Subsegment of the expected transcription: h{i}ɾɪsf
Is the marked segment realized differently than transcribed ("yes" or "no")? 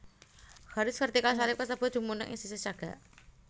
yes